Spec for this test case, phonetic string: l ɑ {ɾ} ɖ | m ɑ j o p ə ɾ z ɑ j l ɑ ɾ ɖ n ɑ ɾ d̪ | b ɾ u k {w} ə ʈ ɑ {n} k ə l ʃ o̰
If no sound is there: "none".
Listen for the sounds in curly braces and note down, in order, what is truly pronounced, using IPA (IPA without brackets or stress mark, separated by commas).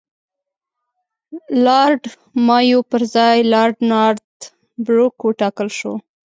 ɾ, w, none